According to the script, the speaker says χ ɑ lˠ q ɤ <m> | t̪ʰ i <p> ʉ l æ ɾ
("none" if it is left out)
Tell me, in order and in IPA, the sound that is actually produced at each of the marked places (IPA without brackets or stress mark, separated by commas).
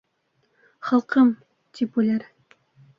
m, p